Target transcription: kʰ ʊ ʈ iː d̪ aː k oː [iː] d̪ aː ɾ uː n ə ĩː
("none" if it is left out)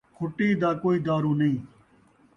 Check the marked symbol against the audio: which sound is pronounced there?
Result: iː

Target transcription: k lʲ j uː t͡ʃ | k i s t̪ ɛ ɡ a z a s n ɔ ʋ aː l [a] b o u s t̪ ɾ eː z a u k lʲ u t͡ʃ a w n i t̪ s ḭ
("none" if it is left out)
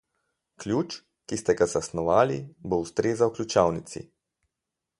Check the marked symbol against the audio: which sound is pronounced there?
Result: i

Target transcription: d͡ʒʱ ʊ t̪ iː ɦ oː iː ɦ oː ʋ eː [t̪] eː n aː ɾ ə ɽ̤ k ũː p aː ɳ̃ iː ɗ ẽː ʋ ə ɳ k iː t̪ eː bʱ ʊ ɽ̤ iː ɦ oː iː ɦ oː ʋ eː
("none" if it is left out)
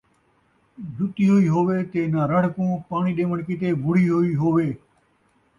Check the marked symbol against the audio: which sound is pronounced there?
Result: t̪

